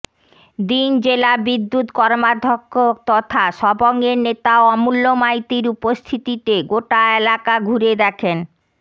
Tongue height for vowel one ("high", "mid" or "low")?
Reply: high